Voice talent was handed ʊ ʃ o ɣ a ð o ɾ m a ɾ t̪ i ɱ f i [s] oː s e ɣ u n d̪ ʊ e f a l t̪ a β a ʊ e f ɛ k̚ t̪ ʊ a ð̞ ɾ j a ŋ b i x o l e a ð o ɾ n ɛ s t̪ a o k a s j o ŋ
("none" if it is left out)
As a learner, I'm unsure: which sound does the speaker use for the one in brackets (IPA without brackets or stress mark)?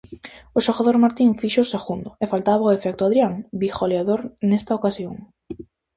ʃ